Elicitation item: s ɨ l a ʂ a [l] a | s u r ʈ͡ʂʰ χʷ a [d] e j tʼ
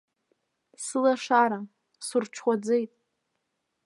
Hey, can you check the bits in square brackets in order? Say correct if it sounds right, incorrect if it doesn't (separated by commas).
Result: incorrect, incorrect